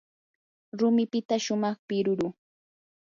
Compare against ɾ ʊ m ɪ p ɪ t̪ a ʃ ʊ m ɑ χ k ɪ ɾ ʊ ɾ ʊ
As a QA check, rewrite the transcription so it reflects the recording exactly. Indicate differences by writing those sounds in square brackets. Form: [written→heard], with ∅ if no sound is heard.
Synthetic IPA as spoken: ɾ ʊ m ɪ p ɪ t̪ a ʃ ʊ m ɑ χ [k→p] ɪ ɾ ʊ ɾ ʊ